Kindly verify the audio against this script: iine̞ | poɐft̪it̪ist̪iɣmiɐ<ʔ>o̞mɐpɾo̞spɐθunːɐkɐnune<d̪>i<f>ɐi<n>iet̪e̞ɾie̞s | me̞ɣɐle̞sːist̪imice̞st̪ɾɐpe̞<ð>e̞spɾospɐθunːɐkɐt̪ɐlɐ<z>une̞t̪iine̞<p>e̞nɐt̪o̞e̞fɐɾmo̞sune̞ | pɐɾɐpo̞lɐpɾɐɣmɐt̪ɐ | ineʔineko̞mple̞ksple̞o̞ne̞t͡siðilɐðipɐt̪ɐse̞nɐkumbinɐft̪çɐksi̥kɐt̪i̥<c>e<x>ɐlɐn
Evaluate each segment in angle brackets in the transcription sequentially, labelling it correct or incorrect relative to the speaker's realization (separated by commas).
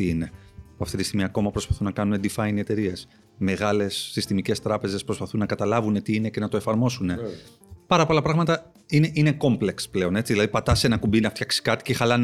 incorrect, correct, correct, correct, incorrect, incorrect, incorrect, correct, correct